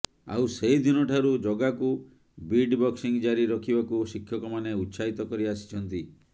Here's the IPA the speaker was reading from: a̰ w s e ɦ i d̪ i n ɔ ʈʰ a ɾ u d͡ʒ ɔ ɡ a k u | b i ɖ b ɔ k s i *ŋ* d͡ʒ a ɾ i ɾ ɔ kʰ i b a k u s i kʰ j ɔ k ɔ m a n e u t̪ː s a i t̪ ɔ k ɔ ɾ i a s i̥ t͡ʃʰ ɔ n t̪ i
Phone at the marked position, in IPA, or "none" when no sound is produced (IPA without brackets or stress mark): ŋ